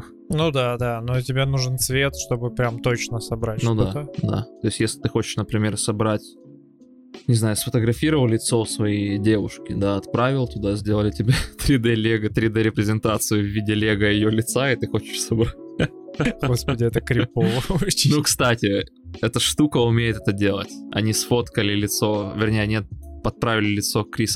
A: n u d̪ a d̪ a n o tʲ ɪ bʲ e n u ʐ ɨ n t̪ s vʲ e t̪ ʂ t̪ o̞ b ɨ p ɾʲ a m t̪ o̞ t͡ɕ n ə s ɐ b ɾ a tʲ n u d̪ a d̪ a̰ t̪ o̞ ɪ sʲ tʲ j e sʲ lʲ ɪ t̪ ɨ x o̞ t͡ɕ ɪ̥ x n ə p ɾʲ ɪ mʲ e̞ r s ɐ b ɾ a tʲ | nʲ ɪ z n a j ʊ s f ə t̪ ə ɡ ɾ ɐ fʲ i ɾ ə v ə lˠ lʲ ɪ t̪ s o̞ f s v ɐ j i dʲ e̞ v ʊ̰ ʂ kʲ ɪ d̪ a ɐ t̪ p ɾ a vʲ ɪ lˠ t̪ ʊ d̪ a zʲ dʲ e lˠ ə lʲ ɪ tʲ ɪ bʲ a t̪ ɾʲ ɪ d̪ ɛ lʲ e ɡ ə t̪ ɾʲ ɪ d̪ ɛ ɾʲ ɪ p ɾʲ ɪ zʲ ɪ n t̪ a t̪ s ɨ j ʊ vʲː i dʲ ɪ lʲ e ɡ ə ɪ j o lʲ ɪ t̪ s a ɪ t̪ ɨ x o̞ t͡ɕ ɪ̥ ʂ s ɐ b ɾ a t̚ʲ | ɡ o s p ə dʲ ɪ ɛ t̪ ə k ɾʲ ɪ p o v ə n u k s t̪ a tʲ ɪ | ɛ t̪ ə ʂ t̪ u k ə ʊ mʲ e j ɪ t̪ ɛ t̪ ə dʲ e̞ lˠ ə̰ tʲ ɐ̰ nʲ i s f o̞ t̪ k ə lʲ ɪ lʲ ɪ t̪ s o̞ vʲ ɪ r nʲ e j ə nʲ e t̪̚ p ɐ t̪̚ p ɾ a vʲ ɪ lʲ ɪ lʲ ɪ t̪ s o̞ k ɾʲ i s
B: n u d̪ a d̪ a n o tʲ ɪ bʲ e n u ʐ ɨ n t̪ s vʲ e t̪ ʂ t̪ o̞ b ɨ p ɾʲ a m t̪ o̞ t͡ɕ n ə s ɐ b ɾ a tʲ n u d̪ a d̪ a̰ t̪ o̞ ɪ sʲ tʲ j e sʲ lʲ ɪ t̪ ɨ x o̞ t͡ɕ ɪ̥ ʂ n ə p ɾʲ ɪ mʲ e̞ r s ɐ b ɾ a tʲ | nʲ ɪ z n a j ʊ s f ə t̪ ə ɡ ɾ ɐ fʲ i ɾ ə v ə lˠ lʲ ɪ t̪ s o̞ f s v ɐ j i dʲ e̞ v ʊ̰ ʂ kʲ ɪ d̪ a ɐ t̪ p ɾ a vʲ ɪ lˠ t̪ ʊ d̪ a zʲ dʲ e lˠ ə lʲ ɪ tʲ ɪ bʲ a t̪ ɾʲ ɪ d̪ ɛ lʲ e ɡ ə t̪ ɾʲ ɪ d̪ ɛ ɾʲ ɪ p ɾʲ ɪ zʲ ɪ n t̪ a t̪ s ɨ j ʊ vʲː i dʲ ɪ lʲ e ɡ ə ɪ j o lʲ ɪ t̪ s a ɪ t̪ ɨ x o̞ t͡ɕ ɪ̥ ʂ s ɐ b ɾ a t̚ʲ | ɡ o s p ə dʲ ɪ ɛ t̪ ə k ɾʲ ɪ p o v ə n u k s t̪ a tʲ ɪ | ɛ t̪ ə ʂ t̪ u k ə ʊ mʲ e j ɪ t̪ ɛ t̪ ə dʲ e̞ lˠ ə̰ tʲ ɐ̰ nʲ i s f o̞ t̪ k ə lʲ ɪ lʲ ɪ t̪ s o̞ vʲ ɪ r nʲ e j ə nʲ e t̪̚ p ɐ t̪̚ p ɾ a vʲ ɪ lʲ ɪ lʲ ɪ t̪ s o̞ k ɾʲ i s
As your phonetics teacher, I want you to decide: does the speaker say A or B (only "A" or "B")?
B